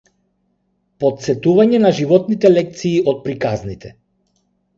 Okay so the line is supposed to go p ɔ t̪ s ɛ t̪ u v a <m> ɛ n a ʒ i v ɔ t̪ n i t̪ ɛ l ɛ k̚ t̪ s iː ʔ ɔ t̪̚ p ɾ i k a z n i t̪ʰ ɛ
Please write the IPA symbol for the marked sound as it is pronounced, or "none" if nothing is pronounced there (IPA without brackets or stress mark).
ɲ